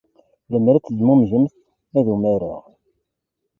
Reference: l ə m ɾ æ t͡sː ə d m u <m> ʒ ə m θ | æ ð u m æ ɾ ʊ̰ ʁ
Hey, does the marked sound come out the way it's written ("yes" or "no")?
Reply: yes